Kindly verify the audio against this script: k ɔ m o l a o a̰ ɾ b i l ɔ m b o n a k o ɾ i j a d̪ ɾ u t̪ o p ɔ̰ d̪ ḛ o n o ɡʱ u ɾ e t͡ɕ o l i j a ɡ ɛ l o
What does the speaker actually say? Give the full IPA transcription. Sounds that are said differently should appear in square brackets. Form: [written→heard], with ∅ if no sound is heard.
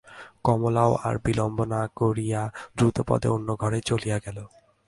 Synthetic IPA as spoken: k ɔ m o l a o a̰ ɾ b i l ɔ m b o n a k o ɾ i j a d̪ ɾ u t̪ o p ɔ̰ d̪ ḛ o [n→nː] o ɡʱ [u→ɔ] ɾ e t͡ɕ o l i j a ɡ ɛ l o